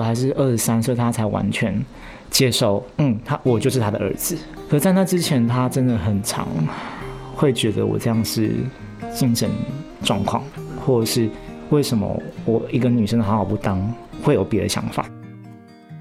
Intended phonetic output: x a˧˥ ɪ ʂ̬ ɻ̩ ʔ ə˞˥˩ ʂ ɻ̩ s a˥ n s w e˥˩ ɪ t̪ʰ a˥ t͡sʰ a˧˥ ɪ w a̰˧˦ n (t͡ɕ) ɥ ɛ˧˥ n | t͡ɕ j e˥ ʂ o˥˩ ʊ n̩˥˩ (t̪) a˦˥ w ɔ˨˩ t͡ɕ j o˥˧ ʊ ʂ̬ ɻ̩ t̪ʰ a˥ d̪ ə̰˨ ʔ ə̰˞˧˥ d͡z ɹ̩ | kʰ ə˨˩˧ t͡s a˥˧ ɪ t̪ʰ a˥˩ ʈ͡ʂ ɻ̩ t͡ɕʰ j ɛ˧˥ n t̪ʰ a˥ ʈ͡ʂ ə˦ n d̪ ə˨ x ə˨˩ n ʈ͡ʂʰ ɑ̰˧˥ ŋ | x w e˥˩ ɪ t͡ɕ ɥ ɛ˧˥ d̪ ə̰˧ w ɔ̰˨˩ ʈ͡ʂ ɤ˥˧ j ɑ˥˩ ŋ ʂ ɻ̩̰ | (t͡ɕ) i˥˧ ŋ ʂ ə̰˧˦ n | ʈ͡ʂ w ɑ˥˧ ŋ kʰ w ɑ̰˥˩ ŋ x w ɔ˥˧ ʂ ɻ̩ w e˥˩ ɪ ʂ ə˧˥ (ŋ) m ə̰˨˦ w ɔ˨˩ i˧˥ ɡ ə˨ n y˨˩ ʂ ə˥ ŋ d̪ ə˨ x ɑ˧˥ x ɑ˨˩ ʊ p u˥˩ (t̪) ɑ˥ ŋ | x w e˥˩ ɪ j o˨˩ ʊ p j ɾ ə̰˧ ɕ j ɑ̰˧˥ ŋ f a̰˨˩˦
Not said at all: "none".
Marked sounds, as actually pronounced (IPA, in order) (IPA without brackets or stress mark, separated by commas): t͡ɕʰ, t̪ʰ, t͡ɕ, n, t̪